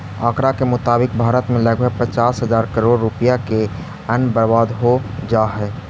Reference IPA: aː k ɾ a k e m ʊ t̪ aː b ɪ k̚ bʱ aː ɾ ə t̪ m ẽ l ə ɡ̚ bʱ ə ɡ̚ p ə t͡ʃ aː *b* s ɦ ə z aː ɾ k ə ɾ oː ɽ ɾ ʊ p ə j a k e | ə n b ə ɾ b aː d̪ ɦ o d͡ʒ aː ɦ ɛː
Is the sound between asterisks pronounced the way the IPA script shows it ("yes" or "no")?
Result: no